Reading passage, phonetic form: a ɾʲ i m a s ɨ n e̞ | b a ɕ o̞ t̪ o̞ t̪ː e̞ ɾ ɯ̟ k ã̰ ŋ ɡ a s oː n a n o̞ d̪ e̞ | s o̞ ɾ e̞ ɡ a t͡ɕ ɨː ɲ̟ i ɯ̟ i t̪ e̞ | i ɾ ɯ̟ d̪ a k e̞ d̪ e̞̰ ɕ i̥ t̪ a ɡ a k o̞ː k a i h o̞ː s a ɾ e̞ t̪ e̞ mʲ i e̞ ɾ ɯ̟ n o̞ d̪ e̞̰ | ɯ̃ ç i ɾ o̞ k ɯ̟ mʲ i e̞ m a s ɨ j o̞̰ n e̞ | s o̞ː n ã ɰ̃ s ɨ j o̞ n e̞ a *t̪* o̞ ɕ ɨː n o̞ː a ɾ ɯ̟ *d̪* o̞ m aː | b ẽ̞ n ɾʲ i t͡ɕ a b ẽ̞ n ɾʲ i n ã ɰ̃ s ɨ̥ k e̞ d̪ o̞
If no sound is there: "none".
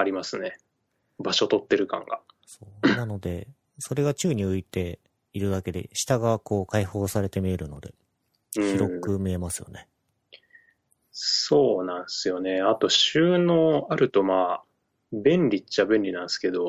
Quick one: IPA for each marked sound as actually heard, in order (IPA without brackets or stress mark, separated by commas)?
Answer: t̪, t̪